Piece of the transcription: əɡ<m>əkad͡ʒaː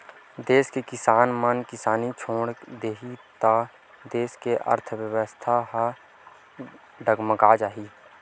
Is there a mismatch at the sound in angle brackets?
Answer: no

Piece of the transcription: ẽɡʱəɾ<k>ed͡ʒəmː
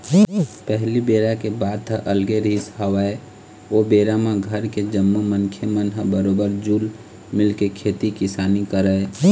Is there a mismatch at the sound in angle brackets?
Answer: no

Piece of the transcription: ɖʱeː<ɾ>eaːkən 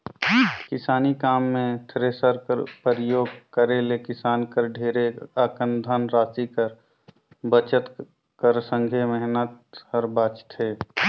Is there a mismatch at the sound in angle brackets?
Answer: no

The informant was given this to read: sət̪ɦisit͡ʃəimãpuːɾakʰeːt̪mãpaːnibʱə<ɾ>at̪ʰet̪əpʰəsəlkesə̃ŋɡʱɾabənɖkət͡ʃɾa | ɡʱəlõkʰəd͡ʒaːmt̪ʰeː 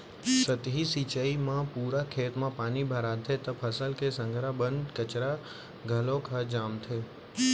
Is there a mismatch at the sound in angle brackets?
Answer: no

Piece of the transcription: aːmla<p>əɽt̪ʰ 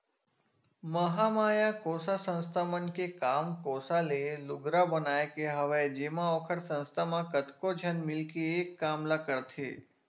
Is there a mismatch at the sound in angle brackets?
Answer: yes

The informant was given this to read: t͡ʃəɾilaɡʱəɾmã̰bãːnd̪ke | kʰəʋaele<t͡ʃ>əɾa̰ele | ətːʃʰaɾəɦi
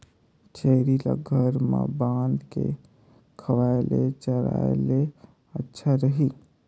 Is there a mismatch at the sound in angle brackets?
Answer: no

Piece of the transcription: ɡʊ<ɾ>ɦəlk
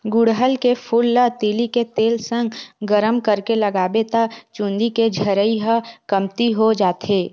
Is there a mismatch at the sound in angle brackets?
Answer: yes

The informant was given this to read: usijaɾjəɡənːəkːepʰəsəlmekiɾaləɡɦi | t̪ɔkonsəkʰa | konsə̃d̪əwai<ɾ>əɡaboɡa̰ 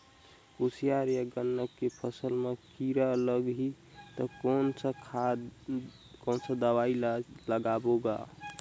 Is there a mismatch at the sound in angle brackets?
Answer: yes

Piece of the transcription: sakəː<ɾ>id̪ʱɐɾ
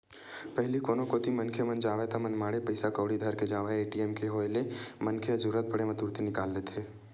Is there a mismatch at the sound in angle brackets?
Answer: yes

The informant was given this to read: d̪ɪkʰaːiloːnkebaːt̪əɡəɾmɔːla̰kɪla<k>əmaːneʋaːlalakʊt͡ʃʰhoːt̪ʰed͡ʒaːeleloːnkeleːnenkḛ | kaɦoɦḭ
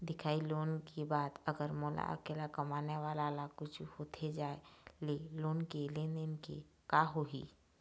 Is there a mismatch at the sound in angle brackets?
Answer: no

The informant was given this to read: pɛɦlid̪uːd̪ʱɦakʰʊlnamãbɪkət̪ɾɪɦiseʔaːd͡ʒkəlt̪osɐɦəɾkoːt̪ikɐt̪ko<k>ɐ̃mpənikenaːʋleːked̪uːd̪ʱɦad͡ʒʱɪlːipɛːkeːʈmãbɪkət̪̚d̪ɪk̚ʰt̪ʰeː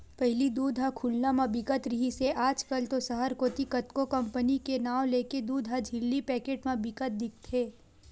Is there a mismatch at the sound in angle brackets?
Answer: no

